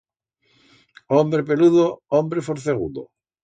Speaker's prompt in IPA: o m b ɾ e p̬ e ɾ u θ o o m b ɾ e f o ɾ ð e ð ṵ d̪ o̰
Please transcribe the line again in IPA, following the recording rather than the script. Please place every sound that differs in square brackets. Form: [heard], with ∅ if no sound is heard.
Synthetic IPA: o m b ɾ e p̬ e [l] u [ð] o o m b ɾ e f o ɾ [θ] e [ɣ] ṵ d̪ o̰